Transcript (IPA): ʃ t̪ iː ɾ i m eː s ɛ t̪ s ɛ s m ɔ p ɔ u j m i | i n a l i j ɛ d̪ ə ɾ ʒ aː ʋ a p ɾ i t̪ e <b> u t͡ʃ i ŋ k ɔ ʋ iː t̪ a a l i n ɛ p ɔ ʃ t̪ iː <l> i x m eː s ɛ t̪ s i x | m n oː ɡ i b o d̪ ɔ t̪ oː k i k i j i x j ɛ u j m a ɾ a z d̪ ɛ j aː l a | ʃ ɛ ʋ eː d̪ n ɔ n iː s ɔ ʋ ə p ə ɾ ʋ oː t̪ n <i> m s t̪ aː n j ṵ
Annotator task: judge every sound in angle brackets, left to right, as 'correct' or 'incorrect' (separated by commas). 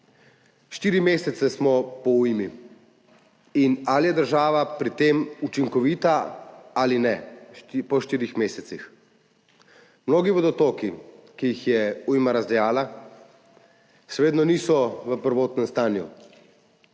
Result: incorrect, incorrect, incorrect